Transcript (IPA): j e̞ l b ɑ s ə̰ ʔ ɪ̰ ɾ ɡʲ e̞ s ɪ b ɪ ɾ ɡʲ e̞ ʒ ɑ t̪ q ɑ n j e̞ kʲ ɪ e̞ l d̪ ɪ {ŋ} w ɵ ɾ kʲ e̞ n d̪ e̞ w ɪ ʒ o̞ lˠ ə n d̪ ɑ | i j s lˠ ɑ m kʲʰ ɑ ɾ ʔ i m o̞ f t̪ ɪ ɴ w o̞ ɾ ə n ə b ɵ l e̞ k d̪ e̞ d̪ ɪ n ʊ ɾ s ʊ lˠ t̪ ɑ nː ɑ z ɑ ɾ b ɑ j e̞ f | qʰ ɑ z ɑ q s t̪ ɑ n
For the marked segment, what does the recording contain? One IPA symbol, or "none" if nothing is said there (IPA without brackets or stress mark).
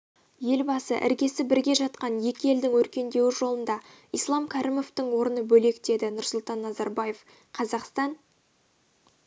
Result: ŋ